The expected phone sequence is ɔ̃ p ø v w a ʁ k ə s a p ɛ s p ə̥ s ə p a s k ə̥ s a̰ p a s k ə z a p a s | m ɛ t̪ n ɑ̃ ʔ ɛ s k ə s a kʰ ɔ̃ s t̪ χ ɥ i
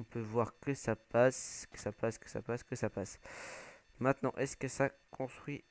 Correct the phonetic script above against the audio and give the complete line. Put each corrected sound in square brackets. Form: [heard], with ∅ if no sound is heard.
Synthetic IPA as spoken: ɔ̃ p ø v w a ʁ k ə s a p [a] s [k] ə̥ s [a] p a s k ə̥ s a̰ p a s k ə [s] a p a s | m [ɛ̃] t̪ n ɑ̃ ʔ ɛ s k ə s a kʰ ɔ̃ s t̪ χ ɥ i